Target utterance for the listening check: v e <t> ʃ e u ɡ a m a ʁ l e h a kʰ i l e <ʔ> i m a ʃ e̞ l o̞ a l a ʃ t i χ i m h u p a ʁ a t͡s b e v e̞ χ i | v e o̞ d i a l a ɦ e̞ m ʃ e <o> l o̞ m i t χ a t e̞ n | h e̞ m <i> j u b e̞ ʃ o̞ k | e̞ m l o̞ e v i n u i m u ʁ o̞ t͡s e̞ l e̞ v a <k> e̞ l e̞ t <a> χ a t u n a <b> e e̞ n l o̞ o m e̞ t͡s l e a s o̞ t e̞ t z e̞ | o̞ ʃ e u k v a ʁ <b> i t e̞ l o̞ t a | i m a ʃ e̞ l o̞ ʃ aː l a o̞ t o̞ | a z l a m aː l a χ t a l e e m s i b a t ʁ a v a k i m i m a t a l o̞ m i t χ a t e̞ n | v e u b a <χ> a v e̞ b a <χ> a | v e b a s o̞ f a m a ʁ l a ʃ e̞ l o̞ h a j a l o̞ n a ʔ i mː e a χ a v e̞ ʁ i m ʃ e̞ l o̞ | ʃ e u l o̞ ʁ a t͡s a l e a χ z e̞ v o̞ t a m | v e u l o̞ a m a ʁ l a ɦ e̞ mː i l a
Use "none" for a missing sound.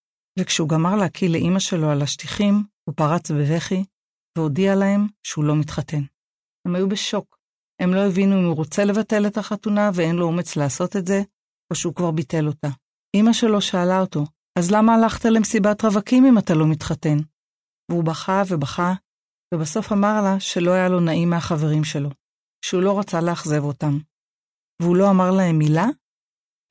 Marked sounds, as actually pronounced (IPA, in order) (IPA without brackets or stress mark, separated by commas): k, ʔ, u, a, t, a, v, b, χ, χ